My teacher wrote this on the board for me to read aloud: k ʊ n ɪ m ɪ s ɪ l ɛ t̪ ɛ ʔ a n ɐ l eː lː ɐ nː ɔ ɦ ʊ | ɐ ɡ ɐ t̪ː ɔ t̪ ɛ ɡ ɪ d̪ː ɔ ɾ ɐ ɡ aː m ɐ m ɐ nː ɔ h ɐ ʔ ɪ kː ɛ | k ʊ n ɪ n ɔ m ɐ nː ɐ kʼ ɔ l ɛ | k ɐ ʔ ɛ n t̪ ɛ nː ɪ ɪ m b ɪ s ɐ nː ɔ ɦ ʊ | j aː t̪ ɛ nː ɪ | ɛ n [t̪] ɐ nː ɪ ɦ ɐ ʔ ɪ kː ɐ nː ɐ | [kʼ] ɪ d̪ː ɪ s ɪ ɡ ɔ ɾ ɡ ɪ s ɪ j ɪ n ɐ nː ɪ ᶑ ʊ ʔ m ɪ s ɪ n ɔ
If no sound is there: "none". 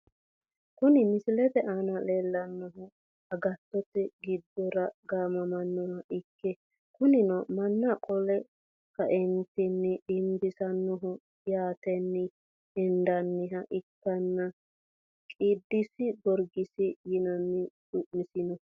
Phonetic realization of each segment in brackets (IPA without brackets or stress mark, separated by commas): d̪, kʼ